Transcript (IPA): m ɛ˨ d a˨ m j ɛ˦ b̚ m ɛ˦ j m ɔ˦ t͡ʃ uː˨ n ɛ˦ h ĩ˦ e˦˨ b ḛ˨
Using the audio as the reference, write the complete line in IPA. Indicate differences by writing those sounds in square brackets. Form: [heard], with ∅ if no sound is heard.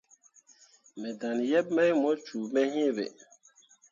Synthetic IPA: m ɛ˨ d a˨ [n] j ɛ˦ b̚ m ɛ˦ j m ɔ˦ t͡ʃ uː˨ [m] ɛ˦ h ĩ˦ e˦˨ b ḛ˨